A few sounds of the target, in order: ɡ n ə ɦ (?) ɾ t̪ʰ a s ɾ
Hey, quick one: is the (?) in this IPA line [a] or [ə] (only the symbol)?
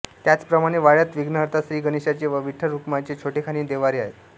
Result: ə